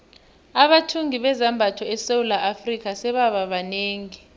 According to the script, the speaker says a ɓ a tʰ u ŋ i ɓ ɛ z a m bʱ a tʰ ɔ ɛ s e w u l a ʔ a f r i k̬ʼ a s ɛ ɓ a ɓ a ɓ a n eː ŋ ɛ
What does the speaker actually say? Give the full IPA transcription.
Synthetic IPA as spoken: a ɓ a tʰ u ŋ i ɓ ɛ z a m bʱ a tʰ ɔ ɛ s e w u l a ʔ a f r i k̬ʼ a s ɛ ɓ a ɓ a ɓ a n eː ŋ i